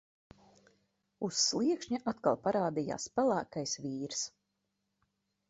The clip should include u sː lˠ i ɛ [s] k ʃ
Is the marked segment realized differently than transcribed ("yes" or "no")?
yes